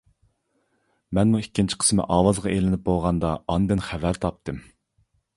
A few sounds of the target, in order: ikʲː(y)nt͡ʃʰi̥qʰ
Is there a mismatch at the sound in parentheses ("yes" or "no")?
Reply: yes